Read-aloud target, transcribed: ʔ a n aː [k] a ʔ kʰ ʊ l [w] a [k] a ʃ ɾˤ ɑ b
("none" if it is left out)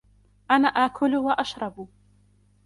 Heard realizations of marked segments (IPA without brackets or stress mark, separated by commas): ʔ, w, ʔ